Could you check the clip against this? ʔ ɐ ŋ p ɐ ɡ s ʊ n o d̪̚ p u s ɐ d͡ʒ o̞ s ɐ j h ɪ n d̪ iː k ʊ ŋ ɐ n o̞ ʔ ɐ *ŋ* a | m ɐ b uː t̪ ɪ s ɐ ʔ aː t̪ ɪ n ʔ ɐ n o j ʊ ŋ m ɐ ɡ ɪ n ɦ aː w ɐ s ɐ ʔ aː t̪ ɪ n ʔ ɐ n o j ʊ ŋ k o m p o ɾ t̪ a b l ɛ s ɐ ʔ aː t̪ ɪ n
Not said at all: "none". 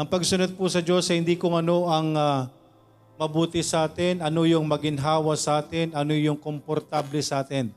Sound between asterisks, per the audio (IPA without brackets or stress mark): ŋ